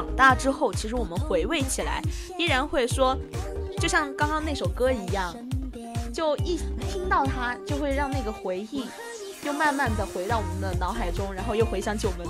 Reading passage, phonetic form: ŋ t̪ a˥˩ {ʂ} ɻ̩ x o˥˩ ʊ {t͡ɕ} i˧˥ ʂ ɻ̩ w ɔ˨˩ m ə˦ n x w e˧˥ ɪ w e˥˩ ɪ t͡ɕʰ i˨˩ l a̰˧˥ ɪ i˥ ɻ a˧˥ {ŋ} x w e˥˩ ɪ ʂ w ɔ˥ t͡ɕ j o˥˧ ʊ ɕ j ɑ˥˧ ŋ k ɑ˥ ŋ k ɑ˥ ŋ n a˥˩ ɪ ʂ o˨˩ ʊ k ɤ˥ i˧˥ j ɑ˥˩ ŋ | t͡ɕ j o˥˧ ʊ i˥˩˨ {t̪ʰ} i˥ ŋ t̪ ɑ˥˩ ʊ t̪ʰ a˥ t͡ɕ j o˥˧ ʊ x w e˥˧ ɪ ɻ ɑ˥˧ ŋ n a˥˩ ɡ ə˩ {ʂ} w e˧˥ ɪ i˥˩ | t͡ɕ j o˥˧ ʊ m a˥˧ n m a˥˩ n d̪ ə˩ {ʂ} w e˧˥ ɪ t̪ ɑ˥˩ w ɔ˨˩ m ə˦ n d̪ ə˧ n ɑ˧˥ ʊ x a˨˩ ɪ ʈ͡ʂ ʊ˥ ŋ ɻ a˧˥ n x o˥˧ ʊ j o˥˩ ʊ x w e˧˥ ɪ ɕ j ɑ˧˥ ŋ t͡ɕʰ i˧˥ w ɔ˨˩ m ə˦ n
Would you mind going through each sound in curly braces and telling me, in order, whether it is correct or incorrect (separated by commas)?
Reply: incorrect, incorrect, incorrect, correct, incorrect, incorrect